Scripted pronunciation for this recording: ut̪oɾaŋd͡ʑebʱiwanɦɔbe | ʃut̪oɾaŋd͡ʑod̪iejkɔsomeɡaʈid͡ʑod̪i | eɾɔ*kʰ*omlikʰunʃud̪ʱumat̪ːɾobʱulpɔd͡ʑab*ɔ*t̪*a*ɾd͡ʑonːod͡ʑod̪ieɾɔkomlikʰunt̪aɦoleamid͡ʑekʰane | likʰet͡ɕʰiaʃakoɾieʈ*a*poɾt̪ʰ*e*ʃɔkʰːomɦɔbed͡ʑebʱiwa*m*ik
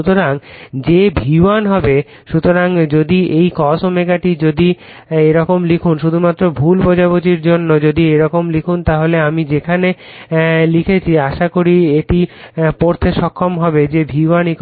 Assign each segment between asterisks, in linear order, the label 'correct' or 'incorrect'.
incorrect, incorrect, incorrect, incorrect, correct, incorrect

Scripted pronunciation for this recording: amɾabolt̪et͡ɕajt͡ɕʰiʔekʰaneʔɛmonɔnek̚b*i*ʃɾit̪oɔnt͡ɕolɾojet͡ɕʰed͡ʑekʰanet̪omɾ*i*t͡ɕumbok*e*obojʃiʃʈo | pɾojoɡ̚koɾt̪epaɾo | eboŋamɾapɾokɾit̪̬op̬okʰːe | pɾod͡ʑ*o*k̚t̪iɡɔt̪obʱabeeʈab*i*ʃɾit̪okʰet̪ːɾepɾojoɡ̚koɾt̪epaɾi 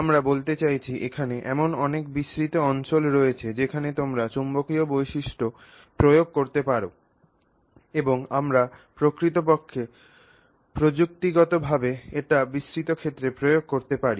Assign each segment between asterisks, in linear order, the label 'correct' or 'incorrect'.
correct, incorrect, incorrect, incorrect, correct

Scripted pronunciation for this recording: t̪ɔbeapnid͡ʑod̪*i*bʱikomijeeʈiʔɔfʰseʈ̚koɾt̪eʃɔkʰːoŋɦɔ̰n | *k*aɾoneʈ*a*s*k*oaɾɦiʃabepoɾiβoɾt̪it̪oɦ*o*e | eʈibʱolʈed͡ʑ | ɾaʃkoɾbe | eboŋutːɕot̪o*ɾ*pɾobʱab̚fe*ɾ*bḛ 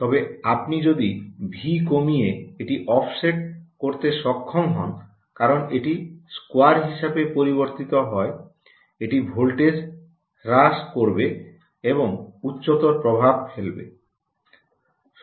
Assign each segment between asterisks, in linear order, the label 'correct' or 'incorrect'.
correct, correct, incorrect, correct, incorrect, correct, incorrect

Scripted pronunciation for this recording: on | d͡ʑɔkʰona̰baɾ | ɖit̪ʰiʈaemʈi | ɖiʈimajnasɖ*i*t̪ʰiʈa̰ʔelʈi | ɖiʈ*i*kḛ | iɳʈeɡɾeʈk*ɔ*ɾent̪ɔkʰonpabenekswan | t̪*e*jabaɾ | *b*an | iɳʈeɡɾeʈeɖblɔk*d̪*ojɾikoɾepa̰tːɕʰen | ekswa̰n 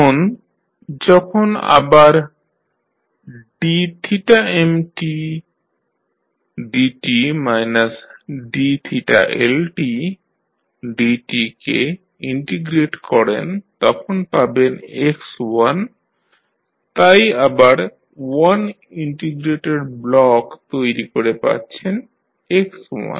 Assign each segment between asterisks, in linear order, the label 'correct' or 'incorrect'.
correct, correct, correct, incorrect, incorrect, incorrect

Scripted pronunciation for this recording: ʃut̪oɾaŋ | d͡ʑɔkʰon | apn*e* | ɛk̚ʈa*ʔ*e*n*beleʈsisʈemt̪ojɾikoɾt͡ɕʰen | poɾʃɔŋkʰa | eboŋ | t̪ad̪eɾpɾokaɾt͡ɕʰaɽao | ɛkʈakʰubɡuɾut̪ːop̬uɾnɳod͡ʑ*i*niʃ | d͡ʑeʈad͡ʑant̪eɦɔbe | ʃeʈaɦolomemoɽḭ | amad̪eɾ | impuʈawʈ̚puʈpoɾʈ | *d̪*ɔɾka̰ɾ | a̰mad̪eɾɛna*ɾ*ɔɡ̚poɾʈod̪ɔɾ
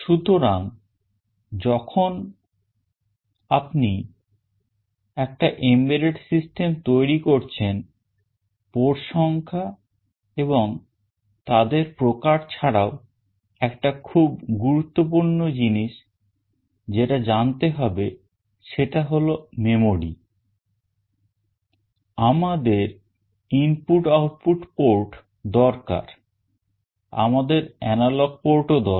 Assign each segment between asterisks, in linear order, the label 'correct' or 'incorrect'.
incorrect, correct, incorrect, correct, correct, incorrect

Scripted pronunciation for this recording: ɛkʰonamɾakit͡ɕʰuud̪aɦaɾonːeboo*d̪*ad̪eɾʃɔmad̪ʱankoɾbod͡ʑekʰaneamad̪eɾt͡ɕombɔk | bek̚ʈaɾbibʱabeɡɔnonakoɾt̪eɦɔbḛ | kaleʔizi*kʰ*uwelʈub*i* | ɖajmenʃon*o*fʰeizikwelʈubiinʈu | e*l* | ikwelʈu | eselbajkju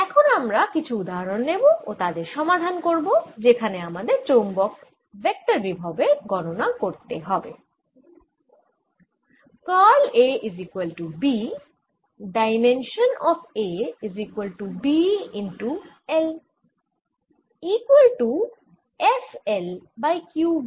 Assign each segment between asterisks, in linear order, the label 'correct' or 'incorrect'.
incorrect, incorrect, correct, incorrect, correct

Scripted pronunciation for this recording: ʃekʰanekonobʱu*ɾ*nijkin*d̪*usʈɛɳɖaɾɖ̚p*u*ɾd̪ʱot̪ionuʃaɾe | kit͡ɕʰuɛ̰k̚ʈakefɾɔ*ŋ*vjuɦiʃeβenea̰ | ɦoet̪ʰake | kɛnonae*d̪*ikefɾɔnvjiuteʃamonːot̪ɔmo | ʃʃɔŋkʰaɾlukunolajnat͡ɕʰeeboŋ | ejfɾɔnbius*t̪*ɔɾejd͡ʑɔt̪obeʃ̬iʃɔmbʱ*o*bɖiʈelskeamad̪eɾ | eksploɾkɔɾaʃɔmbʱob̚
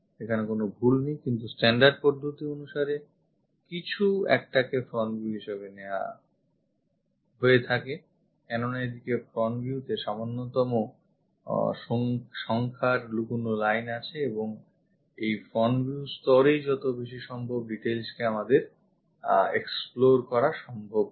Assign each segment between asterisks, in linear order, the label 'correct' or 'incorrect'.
incorrect, incorrect, incorrect, incorrect, correct, correct, correct

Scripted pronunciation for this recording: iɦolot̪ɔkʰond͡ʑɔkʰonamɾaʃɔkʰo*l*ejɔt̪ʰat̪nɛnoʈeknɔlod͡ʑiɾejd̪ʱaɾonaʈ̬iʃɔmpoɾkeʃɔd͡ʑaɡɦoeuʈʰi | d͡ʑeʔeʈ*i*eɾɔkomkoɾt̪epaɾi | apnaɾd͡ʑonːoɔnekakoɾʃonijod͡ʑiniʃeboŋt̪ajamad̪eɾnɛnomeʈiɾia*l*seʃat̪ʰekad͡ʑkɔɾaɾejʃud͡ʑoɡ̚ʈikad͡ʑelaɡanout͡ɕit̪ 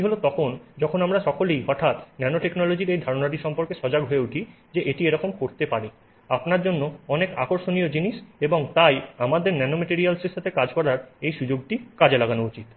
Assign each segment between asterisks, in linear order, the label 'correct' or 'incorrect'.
correct, correct, correct

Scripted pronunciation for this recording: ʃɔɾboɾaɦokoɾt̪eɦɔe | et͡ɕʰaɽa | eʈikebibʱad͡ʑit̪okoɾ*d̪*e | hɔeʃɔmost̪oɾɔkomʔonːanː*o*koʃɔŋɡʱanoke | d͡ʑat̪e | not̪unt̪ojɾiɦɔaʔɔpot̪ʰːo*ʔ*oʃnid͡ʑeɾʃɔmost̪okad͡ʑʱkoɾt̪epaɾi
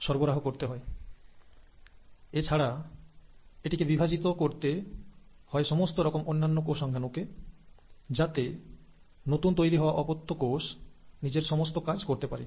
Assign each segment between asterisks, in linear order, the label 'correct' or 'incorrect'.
incorrect, correct, incorrect

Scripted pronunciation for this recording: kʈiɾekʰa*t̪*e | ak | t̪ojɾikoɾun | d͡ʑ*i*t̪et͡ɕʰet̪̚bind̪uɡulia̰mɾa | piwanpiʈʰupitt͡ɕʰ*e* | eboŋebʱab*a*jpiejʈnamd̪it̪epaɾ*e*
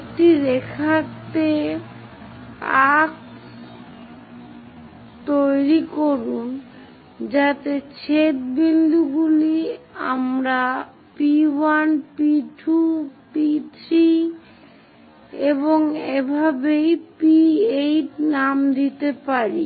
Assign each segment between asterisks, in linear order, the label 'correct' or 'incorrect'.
correct, incorrect, incorrect, incorrect, incorrect

